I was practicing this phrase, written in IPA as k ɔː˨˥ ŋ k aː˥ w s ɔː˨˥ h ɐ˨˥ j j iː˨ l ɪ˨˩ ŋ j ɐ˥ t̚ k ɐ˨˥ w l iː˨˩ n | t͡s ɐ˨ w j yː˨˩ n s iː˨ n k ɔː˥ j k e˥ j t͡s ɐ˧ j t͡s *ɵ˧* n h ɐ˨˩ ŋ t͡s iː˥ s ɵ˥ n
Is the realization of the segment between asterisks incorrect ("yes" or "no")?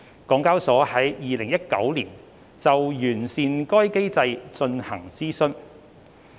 no